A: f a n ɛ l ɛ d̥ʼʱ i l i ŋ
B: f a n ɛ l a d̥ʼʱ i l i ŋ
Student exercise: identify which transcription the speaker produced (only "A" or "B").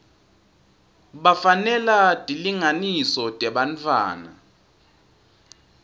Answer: B